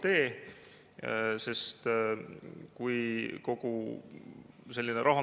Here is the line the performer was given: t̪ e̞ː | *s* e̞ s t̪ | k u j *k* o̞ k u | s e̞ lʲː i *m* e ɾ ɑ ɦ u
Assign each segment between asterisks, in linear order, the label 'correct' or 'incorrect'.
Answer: correct, correct, incorrect

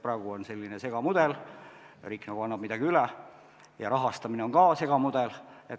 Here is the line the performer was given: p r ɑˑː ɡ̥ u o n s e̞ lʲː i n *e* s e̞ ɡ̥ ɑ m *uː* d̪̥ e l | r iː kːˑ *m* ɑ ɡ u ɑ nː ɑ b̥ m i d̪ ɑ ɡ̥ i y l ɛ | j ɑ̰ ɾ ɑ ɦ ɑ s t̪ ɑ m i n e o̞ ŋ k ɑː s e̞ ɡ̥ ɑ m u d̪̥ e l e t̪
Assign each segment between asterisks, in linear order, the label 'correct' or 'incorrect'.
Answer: correct, incorrect, incorrect

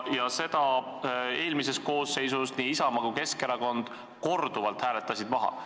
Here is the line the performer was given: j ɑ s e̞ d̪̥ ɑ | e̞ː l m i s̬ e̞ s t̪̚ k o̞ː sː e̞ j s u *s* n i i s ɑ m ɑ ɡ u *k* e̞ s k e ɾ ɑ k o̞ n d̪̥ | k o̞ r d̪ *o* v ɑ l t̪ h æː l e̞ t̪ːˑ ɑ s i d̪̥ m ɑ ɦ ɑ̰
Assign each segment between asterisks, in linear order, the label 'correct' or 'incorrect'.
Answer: correct, correct, incorrect

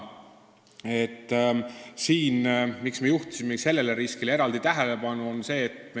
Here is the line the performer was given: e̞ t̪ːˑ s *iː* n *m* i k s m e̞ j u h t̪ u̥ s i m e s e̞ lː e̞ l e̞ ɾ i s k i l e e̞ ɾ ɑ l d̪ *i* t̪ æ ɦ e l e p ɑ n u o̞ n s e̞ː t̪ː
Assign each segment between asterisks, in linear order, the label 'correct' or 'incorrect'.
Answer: correct, correct, correct

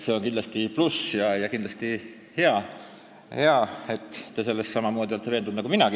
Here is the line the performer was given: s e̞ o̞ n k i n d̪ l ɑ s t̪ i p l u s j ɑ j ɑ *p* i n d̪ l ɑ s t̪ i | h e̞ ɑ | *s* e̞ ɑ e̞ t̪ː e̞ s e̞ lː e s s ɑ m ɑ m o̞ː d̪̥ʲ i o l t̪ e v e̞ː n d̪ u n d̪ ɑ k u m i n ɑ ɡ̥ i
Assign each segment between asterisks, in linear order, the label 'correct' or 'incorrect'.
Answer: incorrect, incorrect

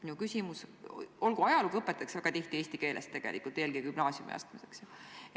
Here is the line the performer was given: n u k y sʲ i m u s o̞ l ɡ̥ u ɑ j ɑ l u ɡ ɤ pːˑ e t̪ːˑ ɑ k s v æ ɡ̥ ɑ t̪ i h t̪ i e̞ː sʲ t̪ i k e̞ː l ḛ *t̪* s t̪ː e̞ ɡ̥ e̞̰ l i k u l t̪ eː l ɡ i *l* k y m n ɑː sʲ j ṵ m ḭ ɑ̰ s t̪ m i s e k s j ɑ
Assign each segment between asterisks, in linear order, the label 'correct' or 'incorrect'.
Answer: incorrect, incorrect

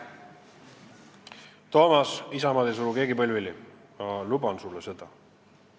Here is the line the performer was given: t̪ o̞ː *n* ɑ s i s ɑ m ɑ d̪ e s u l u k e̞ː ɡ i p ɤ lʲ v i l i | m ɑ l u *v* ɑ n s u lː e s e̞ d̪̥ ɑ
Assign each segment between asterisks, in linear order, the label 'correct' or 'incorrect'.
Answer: incorrect, incorrect

